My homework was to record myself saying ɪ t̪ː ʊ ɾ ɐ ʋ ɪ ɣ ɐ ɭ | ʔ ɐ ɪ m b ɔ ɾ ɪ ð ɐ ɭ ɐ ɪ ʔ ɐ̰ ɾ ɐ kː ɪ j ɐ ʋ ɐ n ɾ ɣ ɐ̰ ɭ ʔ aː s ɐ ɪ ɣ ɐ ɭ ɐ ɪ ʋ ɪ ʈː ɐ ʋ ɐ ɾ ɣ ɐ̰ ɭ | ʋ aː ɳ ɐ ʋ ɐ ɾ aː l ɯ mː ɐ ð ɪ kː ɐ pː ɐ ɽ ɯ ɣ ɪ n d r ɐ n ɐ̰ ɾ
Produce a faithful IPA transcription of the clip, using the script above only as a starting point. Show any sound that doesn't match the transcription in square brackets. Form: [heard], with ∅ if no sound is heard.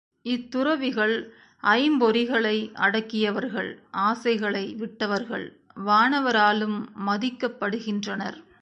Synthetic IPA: ɪ t̪ː ʊ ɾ ɐ ʋ ɪ ɣ ɐ ɭ | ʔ ɐ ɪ m b ɔ ɾ ɪ [ɣ] ɐ ɭ ɐ ɪ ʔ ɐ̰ [ɽ] ɐ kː ɪ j ɐ ʋ ɐ [∅] ɾ ɣ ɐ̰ ɭ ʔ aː s ɐ ɪ ɣ ɐ ɭ ɐ ɪ ʋ ɪ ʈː ɐ ʋ ɐ ɾ ɣ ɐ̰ ɭ | ʋ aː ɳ ɐ ʋ ɐ ɾ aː l ɯ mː ɐ ð ɪ kː ɐ pː ɐ ɽ ɯ ɣ ɪ n d r ɐ n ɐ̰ ɾ